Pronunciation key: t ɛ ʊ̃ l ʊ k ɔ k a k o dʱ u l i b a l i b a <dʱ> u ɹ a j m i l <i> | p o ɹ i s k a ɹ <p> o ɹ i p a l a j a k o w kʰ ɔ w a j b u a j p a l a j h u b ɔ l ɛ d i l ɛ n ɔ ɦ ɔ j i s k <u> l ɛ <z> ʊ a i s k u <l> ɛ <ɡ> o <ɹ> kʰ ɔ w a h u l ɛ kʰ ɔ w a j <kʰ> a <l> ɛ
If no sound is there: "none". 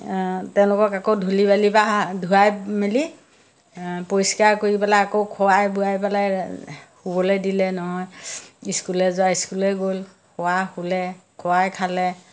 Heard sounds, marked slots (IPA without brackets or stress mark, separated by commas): dʱ, i, k, u, z, l, ɡ, l, kʰ, l